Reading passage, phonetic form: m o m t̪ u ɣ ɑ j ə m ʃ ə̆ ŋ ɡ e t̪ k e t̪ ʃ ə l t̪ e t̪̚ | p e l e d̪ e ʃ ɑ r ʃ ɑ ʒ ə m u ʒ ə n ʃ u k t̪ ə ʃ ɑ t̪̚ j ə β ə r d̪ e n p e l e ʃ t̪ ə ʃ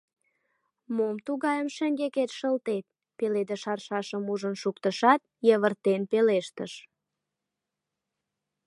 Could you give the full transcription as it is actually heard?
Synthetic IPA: m o m t̪ u ɣ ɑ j ə m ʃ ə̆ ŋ ɡ e k e t̪ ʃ ə l t̪ e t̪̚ | p e l e d̪ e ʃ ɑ r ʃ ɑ ʃ ə m u ʒ ə n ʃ u k t̪ ə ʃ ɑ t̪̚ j ə β ə r t̪ e n p e l e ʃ t̪ ə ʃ